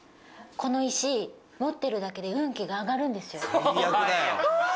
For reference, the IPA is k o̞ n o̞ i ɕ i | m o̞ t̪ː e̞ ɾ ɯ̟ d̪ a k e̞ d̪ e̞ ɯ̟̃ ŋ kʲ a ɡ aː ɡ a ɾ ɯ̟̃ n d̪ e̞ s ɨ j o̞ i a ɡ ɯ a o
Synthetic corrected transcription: k o̞ n o̞ i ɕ i | m o̞ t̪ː e̞ ɾ ɯ̟ d̪ a k e̞ d̪ e̞ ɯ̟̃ ŋ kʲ i ɡ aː ɡ a ɾ ɯ̟̃ n d̪ e̞ s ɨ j o̞ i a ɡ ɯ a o

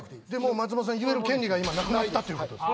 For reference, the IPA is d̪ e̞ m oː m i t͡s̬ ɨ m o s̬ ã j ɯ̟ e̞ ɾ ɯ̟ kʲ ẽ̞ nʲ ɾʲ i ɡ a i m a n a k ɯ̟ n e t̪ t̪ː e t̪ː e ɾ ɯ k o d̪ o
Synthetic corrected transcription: d̪ e̞ m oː m a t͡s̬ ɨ m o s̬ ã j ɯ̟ e̞ ɾ ɯ̟ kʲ ẽ̞ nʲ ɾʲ i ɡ a i m a n a k ɯ̟ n a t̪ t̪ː a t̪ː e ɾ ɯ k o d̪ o

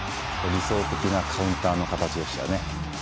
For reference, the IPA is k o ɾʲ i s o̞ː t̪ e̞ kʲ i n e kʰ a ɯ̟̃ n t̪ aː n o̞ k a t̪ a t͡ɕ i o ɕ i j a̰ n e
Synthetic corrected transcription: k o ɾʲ i s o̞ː t̪ e̞ kʲ i n a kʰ a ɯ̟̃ n t̪ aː n o̞ k a t̪ a t͡ɕ i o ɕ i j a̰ n e

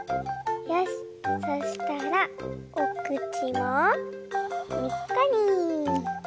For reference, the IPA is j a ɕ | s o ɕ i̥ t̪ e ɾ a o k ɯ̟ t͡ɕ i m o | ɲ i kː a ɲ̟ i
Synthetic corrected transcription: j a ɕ | s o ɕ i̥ t̪ a ɾ a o k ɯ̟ t͡ɕ i m o | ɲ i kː a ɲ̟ i

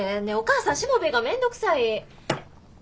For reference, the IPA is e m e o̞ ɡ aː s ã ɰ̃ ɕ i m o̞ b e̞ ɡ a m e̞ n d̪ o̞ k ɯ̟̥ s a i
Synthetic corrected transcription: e n e o̞ k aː s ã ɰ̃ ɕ i m o̞ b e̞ ɡ a m ẽ̞ n d̪ o̞ k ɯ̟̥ s a i

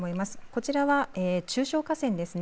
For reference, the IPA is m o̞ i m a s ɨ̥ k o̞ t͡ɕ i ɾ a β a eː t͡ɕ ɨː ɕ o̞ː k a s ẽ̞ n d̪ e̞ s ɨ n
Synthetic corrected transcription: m o̞ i m a s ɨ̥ k o̞ t͡ɕ i ɾ a β a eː t͡ɕ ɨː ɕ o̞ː k a s ẽ̞ n d̪ e̞ s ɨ n

